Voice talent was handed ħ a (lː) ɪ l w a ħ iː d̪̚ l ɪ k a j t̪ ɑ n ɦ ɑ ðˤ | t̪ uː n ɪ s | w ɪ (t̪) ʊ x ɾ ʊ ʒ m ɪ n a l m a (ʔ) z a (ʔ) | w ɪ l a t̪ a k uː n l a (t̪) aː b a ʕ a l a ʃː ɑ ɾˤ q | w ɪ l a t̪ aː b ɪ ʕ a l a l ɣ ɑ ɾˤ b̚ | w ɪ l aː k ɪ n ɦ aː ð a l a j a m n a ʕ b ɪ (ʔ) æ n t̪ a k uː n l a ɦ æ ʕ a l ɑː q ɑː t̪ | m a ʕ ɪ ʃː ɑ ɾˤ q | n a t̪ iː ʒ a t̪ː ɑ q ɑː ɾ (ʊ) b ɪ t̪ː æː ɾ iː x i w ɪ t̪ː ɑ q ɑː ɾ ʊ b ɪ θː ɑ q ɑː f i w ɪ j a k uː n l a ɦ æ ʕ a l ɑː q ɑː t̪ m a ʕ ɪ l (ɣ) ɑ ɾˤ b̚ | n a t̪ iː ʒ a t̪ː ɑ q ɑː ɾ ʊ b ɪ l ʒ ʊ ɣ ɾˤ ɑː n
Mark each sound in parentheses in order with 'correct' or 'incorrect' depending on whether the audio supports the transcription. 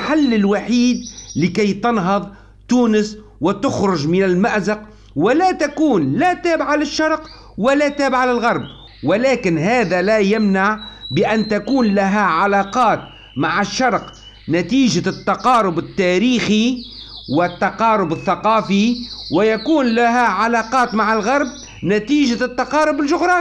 correct, correct, correct, incorrect: q, correct, correct, correct, correct

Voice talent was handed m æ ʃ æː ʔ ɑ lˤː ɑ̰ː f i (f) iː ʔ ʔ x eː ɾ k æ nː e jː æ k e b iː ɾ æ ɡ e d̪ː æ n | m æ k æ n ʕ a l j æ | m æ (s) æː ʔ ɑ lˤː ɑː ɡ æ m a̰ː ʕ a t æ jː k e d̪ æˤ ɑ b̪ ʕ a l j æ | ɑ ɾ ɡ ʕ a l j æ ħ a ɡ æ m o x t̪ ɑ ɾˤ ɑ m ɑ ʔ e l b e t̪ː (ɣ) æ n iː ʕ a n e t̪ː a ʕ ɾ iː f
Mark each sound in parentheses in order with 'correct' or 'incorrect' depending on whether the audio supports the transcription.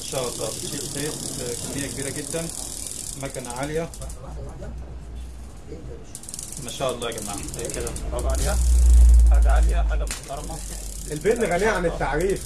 incorrect: ʃ, incorrect: ʃ, correct

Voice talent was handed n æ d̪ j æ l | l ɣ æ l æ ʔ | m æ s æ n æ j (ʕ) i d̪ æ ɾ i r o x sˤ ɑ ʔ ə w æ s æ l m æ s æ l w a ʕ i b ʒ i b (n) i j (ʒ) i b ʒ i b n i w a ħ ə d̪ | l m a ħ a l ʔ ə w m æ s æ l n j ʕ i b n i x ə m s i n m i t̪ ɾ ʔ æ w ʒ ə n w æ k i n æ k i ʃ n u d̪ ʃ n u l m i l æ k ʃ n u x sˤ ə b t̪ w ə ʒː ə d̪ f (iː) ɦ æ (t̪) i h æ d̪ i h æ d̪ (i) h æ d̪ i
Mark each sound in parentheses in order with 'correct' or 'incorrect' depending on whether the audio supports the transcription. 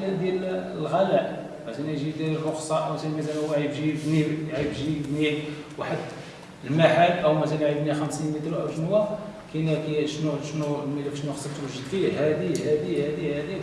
incorrect: ʒ, correct, incorrect: ʕ, incorrect: i, incorrect: d̪, correct

